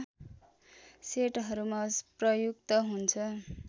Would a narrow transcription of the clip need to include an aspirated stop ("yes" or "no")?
yes